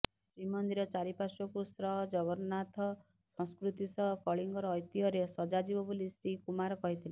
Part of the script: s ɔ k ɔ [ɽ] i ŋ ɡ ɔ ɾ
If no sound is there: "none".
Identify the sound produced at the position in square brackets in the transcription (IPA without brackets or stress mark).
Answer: ɭ